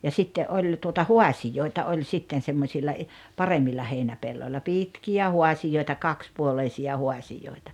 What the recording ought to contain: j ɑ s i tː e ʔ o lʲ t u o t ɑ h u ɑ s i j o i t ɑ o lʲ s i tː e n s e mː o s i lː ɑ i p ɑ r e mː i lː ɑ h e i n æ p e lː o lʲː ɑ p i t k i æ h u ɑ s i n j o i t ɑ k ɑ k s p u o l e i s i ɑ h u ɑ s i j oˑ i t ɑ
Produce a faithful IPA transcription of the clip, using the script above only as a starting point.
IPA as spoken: j ɑ s i tː e ʔ o lʲ t u o t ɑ h u ɑ s i j o i t ɑ o lʲ s i tː e n s e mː o s i lː ɑ i p ɑ r e mː i lː ɑ h e i n æ p e lː o lʲː ɑ p i t k i æ h u ɑ s i j o i t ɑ k ɑ k s p u o l e i s i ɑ h u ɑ s i j oˑ i t ɑ

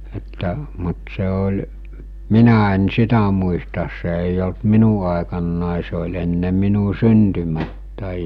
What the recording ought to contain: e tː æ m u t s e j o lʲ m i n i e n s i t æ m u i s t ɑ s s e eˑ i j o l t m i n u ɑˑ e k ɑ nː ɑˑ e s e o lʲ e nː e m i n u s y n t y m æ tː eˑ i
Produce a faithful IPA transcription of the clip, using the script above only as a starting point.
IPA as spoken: e tː æ m u t s e o lʲ m i n æ e n s i t æ m u i s t ɑ s s e eˑ i j o l t m i n u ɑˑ e k ɑ nː ɑˑ e s e o lʲ e nː e m i n u s y n t y m æ tː æˑ i

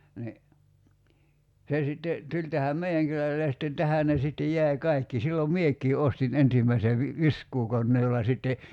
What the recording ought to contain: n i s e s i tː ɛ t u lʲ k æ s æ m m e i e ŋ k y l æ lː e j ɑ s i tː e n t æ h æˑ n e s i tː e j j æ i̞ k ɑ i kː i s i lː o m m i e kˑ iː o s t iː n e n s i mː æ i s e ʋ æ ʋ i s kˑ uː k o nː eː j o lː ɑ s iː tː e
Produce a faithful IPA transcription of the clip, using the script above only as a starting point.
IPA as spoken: n i s e s i tː e t u lʲ t æ h æ m m e i æ ŋ k y l æ lː e j ɑ s i tː e n t æ h æˑ n e s i tː e j j æ i̞ k ɑ i kː i s i lː o m m i e kˑ iː o s t i n e n s i mː æ i s e ʋ i ʋ i s kˑ uː k o nː eː j o lː ɑ s i tː e

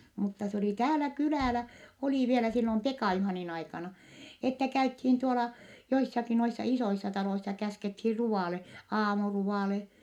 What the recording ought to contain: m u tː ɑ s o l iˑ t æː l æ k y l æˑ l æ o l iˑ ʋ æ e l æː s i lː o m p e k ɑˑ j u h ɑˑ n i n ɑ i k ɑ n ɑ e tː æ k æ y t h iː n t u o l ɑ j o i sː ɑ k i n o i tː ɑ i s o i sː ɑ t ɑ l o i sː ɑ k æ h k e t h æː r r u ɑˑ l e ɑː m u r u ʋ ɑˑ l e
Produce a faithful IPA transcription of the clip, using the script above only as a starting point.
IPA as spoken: m u tː ɑ s o l iˑ t æː l æ k y l æˑ l æ o l iˑ ʋ i e l æ s i lː o m p e k ɑˑ j u h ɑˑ n i n ɑ i k ɑ n ɑ e tː æ k æ y t h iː n t u o l ɑ j o i sː ɑ k i n o i sː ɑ i s o i sː ɑ t ɑ l o i sː ɑ k æ s k e t h iː r r u ɑˑ l e ɑː m u r u ʋ ɑˑ l e

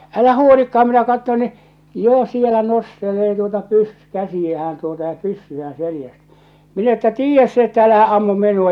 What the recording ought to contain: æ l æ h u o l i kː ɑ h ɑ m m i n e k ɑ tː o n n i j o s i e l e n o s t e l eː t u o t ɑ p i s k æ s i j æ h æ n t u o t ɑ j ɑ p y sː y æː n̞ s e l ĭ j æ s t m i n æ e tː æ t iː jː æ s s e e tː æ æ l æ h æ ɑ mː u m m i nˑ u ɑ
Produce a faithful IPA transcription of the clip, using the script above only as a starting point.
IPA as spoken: æ l æ h u o l i kː ɑ h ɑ m m i n æ k ɑ tː o n n i j o s i e l æ n o s t e l eː t u o t ɑ p y s k æ s i j æ h æ n t u o t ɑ j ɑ p y sː y æː n̞ s e l ĭ j æ s t m i n æ e tː æ t iː jː æ s s e e tː æ æ l æ h æ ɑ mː u m m i nˑ u ɑ

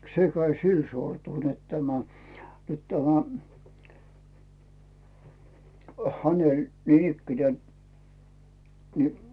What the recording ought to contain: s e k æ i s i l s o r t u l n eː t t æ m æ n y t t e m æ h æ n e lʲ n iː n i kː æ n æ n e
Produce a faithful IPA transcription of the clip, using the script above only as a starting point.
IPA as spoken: s e k æ i s i l s o r t u l n e t t æ m æ n y t t æ m æ h æ n e lʲ n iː n i kː i n e n i

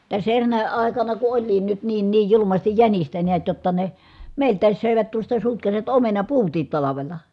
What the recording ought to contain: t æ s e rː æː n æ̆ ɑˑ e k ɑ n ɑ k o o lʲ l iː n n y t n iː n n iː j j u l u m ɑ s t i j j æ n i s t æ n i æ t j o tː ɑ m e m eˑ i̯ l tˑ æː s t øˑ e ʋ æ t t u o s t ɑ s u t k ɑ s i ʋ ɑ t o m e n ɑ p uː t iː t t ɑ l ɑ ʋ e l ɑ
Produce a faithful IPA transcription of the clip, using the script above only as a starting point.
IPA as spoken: t æ s e rː æː n æ̆ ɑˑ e k ɑ n ɑ k u o lʲ l iː n n y t n iː n n iː j j u l u m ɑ s t i j j æ n i s t æ n i æ t j o tː ɑ n e m eˑ i̯ l tˑ æː s s øˑ e ʋ æ t t u o s t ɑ s u t k ɑ s i ʋ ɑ t o m e n ɑ p uː t iː t t ɑ l ɑ ʋ e l ɑ

